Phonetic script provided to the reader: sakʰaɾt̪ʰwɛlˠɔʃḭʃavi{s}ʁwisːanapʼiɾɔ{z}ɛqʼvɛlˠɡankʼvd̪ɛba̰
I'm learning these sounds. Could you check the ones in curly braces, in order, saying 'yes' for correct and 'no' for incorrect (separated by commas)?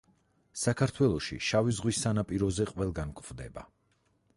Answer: no, yes